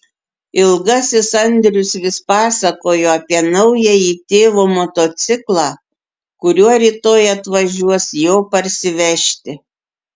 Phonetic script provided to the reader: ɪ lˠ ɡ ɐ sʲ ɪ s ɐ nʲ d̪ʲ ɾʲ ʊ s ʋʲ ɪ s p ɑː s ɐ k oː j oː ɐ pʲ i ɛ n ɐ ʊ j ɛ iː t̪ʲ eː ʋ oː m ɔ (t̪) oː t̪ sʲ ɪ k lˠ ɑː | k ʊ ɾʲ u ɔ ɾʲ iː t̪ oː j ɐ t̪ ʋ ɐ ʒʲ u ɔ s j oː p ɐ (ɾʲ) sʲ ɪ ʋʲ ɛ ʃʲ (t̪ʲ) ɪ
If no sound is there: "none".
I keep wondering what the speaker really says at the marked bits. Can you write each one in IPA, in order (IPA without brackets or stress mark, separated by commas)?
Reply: t̪, ɾʲ, t̪ʲ